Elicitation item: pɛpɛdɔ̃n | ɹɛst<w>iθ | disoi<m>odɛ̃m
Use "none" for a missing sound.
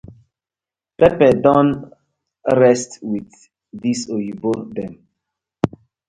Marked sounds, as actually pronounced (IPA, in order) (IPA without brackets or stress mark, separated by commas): w, b